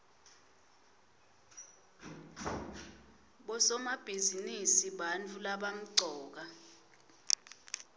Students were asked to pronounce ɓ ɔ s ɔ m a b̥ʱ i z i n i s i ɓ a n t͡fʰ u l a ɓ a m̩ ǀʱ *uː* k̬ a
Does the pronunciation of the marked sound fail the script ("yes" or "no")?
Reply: yes